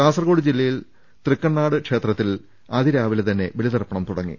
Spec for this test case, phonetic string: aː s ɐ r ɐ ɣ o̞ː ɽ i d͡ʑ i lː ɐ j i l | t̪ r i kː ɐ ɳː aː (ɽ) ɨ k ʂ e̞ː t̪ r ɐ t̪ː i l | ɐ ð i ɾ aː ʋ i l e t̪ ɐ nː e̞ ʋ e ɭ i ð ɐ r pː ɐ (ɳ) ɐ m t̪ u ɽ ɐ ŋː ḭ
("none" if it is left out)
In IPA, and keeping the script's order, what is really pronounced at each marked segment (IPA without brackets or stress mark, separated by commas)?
ɽ, ɳ